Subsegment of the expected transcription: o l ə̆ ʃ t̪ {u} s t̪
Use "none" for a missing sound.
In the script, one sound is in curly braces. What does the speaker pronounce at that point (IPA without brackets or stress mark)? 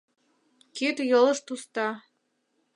u